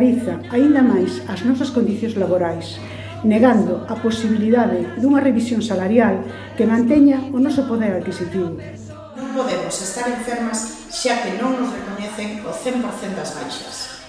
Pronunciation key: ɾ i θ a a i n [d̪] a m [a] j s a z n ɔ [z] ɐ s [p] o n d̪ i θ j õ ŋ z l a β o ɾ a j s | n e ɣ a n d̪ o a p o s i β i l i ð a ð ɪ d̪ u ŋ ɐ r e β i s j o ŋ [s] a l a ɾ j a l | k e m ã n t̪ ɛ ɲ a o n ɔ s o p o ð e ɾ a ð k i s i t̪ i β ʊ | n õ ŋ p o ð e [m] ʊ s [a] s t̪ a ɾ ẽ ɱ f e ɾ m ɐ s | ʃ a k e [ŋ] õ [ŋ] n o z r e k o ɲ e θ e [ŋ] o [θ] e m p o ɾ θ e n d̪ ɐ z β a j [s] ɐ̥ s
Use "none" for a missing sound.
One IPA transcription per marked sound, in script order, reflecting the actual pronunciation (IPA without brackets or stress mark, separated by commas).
d̪, a, s, k, s, m, e, n, ŋ, ŋ, θ, ʃ